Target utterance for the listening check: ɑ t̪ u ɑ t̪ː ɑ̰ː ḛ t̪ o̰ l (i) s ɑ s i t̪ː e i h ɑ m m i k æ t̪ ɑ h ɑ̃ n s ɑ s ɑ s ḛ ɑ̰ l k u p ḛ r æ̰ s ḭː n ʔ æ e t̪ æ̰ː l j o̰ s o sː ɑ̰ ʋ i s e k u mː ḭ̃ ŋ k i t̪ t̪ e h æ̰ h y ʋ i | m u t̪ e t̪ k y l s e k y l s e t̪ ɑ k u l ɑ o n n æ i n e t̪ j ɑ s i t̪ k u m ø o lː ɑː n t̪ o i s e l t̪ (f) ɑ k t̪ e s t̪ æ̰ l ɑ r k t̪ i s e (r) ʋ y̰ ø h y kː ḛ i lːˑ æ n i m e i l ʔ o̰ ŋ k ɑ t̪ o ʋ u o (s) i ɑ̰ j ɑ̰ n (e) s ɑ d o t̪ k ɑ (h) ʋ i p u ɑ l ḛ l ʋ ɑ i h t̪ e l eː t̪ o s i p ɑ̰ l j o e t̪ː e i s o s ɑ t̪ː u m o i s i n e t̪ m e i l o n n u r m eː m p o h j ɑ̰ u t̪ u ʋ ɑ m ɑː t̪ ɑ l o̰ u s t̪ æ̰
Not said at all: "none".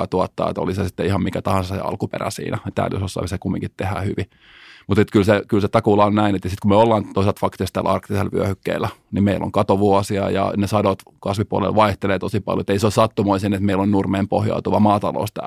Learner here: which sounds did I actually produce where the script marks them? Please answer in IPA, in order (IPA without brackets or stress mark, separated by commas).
i, f, l, s, e, s